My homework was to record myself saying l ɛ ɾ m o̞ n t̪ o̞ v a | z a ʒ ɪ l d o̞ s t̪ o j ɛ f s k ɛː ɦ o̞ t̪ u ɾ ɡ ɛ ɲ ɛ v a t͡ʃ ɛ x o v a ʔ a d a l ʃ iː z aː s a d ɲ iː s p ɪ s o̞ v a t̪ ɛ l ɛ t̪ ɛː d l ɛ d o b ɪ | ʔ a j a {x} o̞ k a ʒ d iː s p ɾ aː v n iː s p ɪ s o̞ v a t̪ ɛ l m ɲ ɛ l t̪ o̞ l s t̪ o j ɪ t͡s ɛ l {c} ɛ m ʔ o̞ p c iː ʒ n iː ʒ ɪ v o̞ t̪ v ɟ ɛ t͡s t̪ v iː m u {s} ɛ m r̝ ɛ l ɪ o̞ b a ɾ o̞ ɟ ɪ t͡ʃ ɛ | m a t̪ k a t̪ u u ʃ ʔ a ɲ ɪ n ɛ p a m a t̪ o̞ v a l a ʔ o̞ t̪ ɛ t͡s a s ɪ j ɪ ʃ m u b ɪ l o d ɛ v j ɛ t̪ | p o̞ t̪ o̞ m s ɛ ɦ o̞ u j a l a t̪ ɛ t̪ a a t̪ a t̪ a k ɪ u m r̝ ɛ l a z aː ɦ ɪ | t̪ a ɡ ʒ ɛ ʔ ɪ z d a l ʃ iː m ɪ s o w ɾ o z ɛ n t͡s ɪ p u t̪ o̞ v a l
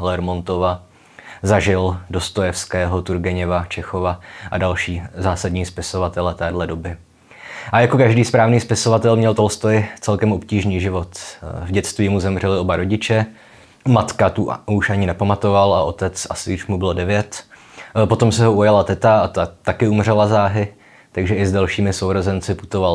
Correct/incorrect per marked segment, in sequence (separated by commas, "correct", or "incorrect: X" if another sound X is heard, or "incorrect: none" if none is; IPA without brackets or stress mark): incorrect: k, incorrect: k, incorrect: z